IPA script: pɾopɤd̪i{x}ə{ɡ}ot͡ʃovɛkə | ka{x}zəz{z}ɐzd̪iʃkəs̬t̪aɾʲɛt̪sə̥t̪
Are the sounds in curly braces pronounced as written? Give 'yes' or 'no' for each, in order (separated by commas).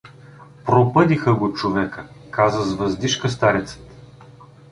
yes, yes, no, no